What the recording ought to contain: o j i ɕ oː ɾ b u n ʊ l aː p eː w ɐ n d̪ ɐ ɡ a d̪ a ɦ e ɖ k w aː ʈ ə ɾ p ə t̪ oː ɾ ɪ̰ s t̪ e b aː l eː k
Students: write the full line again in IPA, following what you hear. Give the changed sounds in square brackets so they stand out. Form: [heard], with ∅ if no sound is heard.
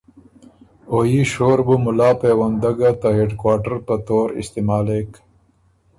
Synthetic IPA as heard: o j i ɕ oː ɾ b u [m] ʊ l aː p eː w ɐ n d̪ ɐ ɡ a [t̪] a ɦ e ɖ k w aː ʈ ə ɾ p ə t̪ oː ɾ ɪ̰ s t̪ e [m] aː l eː k